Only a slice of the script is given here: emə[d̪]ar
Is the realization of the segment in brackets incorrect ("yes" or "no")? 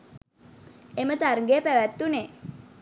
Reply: yes